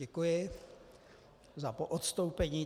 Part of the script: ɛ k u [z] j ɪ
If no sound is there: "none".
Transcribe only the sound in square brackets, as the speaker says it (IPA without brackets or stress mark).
none